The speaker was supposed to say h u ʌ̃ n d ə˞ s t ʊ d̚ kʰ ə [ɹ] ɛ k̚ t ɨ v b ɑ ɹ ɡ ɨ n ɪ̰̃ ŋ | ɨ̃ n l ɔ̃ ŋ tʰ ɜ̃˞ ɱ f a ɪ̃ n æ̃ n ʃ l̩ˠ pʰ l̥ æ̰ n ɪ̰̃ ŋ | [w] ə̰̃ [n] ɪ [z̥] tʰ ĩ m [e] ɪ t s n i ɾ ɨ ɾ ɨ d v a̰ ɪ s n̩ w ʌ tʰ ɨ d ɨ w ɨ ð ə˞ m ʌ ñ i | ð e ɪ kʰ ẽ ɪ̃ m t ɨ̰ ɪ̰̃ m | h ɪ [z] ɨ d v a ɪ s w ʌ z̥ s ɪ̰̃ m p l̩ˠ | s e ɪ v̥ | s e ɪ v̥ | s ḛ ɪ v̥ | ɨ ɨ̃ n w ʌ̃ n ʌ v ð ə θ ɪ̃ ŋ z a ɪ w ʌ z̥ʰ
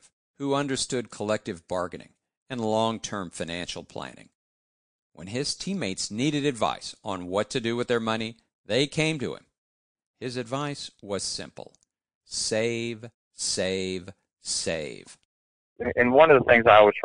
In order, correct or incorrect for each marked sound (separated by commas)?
incorrect, correct, correct, correct, correct, correct